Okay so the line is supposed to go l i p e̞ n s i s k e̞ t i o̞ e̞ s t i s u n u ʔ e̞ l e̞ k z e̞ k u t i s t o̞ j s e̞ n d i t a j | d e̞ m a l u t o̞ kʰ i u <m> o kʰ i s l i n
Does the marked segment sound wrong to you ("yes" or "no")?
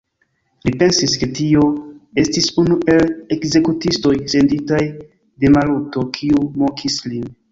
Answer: no